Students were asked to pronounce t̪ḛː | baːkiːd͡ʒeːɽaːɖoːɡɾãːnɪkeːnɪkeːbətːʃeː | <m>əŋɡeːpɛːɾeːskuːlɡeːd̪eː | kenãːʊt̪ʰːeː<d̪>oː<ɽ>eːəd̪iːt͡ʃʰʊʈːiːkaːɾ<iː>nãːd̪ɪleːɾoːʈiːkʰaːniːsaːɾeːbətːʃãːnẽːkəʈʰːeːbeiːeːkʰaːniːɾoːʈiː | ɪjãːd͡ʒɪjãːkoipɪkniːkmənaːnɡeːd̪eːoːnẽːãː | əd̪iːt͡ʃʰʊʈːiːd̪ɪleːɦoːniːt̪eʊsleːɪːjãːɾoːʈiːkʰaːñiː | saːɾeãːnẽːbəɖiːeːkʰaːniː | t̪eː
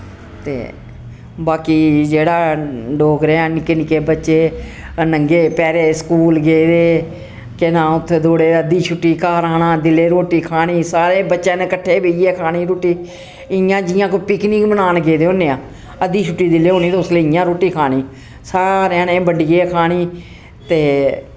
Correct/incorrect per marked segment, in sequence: incorrect: n, correct, correct, incorrect: aː

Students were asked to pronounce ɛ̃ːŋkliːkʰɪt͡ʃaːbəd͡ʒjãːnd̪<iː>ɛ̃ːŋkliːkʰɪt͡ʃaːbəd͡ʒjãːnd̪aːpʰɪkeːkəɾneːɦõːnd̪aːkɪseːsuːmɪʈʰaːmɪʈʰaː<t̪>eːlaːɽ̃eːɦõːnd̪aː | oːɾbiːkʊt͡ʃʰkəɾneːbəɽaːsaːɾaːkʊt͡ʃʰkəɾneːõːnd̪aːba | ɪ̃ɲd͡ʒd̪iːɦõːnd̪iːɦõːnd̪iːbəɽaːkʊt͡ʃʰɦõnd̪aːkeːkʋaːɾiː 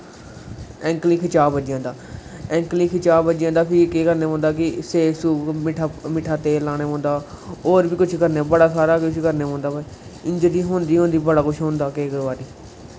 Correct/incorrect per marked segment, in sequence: incorrect: aː, correct

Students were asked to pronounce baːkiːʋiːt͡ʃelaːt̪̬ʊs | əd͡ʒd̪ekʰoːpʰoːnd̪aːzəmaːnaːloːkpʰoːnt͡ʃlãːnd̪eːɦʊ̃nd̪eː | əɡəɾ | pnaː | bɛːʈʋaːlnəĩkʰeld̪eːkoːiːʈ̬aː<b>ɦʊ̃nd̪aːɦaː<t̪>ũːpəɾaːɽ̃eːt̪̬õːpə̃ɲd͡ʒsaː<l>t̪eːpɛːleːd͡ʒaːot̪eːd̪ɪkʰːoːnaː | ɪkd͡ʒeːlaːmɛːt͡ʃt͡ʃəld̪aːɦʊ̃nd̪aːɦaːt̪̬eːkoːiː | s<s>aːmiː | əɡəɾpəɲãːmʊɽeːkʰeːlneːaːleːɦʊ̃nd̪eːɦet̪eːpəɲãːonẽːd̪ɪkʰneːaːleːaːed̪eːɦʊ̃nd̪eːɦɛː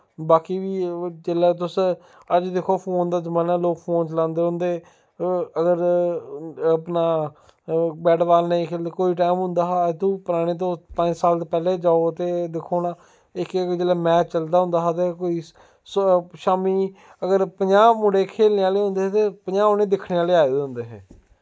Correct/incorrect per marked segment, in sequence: incorrect: m, correct, correct, incorrect: ʃ

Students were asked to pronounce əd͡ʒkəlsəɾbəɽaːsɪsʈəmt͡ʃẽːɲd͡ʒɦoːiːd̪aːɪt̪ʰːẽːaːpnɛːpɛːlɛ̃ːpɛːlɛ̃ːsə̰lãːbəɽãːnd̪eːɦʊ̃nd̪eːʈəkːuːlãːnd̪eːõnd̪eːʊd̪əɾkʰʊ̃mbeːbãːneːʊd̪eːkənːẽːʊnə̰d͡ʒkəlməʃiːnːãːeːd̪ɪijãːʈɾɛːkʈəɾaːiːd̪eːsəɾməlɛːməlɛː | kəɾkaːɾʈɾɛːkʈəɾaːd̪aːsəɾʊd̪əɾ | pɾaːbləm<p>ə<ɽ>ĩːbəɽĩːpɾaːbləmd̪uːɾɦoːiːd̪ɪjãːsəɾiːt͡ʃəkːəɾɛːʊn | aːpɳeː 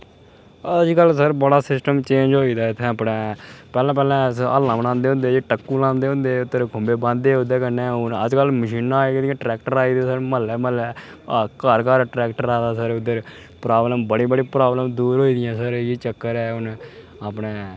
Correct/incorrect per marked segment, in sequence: incorrect: b, correct

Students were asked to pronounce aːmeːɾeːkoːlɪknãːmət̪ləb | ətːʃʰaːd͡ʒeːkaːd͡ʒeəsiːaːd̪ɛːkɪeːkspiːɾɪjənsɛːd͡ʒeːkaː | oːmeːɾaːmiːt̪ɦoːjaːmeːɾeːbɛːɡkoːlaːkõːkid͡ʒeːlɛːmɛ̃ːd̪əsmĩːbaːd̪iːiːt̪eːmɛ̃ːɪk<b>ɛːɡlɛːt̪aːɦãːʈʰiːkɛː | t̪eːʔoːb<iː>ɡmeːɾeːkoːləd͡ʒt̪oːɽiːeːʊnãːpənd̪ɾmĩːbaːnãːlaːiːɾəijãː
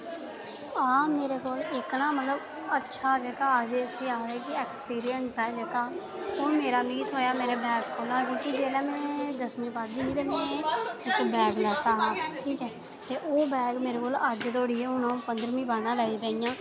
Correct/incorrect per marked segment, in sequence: correct, incorrect: ɛː

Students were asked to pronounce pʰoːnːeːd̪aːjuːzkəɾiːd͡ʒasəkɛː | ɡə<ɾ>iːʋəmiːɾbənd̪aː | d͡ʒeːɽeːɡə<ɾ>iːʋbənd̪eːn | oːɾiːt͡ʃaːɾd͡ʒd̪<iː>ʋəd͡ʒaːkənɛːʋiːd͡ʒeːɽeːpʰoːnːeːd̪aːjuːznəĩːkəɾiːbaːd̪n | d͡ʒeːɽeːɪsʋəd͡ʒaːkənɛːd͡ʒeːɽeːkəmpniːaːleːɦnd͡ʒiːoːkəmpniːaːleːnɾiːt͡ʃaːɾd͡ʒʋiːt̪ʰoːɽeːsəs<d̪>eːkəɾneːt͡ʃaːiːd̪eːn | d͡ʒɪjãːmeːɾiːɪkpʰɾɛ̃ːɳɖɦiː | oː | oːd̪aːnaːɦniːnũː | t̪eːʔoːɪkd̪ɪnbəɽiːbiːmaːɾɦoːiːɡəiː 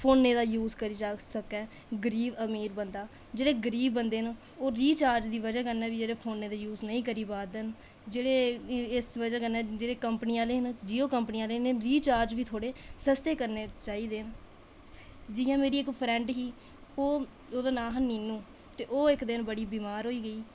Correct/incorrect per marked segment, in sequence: correct, correct, correct, incorrect: t̪

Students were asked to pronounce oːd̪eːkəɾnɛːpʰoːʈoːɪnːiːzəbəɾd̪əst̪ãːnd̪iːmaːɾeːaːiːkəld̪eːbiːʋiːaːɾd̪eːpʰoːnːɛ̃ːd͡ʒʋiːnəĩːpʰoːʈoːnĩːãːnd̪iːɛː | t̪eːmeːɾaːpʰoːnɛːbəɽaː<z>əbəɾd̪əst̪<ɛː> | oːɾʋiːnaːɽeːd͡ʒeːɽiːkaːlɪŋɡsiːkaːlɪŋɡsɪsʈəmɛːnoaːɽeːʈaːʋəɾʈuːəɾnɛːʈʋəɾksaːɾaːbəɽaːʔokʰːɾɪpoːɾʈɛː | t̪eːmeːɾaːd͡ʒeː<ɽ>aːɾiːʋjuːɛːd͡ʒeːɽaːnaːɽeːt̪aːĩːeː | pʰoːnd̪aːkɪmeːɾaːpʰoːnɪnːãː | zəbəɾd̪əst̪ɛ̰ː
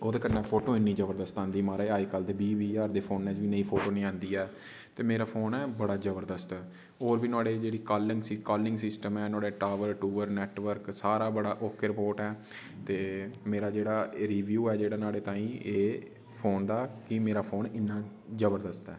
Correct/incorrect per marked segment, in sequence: correct, correct, correct

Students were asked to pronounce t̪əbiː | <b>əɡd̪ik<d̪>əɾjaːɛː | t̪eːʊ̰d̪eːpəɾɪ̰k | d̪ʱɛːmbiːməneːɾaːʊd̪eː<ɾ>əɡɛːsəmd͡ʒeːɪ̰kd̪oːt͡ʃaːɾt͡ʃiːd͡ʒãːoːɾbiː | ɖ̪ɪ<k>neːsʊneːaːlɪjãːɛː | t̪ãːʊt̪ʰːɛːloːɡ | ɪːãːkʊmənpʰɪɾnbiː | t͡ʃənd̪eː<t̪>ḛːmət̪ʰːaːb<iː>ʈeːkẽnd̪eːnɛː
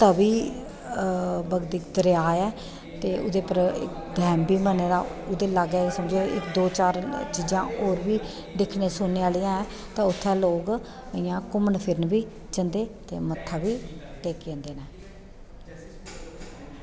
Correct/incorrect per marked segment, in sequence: correct, correct, incorrect: l, incorrect: kʰ, correct, correct

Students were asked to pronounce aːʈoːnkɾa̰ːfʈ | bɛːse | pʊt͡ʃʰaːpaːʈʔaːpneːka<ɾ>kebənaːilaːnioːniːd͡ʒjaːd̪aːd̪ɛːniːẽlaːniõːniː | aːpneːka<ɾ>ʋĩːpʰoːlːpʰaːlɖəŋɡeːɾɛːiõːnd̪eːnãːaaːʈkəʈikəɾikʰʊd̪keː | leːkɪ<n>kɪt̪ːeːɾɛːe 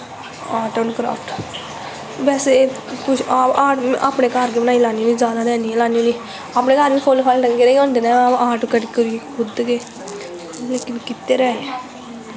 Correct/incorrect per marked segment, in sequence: correct, correct, correct

